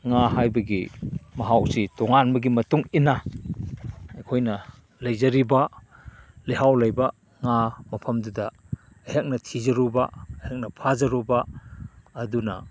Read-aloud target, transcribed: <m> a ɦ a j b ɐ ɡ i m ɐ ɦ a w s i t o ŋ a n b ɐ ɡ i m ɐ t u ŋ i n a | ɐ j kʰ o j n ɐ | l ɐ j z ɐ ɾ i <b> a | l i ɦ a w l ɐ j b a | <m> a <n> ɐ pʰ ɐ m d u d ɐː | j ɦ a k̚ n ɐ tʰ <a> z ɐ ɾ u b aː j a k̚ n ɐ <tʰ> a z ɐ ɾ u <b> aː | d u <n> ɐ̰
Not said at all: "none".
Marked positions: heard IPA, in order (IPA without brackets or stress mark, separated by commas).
ŋ, b, ŋ, m, i, pʰ, b, n